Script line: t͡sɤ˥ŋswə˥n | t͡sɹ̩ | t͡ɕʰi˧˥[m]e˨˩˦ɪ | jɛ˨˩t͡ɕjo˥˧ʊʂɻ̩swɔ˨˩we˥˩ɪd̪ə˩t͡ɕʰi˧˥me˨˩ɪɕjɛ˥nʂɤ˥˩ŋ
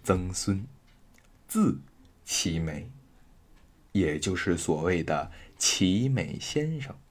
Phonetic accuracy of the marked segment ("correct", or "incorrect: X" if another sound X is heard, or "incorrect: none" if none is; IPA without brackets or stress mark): correct